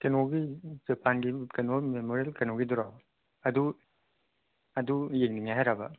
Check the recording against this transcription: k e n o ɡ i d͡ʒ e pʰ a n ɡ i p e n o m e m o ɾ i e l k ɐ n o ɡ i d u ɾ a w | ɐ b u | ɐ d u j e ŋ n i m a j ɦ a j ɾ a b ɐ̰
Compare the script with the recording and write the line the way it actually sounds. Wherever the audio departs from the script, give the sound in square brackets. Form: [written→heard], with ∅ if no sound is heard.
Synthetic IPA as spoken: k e n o ɡ i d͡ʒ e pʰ a n ɡ i [p→k] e n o m e m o ɾ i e l k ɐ n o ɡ i d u ɾ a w | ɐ [b→d] u | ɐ d u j e ŋ n i [m→ŋ] a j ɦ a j ɾ a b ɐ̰